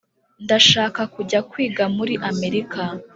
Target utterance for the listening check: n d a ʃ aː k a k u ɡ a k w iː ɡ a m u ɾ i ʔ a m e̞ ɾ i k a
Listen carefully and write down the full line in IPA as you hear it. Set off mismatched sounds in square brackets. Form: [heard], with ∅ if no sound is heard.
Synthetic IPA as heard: n d a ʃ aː k a k u [ɟ] a k w iː ɡ a m u ɾ i ʔ a m e̞ ɾ i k a